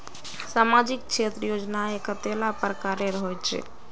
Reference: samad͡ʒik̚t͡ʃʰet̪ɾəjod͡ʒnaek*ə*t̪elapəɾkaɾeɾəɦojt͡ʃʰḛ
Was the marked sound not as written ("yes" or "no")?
no